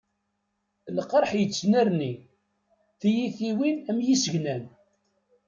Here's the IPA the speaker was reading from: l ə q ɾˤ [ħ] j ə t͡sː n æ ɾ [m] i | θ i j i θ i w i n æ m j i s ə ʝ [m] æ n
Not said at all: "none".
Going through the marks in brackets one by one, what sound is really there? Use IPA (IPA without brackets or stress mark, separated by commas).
ħ, n, n